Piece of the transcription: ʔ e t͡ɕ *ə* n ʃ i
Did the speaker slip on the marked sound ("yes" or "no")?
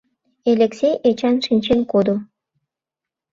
yes